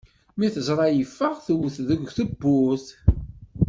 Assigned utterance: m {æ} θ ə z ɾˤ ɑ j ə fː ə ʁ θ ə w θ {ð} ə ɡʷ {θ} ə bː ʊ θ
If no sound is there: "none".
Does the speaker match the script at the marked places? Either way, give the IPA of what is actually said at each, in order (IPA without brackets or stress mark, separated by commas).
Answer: i, ð, θ